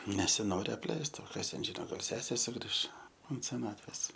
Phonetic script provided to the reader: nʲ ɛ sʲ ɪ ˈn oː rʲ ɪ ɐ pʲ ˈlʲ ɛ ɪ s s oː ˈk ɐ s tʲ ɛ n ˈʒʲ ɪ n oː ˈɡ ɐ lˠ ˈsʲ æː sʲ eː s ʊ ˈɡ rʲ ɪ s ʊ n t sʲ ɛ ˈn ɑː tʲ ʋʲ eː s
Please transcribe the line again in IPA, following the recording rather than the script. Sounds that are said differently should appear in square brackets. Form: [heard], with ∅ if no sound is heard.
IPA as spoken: nʲ ɛ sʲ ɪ ˈn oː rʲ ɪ ɐ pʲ ˈlʲ ɛ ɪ s [t] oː ˈk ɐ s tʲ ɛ n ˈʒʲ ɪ n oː ˈɡ ɐ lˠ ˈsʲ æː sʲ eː s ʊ ˈɡ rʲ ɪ [ʃ] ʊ n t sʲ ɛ ˈn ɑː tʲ ʋʲ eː s